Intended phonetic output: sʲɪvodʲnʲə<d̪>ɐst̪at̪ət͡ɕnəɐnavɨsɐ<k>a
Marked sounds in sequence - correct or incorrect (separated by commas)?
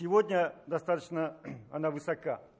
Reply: correct, correct